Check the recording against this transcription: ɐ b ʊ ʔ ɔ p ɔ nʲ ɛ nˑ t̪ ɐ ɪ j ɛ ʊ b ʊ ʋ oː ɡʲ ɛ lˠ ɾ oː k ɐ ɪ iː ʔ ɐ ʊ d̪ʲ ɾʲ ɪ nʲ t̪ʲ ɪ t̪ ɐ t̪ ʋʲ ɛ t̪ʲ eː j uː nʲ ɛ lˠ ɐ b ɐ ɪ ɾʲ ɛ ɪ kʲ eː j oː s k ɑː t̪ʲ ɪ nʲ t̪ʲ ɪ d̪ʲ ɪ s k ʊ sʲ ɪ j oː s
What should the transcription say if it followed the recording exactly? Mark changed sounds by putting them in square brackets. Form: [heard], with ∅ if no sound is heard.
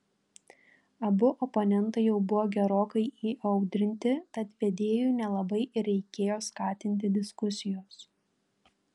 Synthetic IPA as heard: ɐ b ʊ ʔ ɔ p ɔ nʲ ɛ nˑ t̪ ɐ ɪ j ɛ ʊ b ʊ ʋ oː ɡʲ ɛ [∅] ɾ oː k ɐ ɪ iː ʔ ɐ ʊ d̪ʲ ɾʲ ɪ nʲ t̪ʲ ɪ t̪ ɐ t̪ ʋʲ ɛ [d̪ʲ] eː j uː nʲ ɛ lˠ ɐ b ɐ ɪ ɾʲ ɛ ɪ kʲ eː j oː s k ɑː t̪ʲ ɪ nʲ t̪ʲ ɪ d̪ʲ ɪ s k ʊ sʲ ɪ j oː s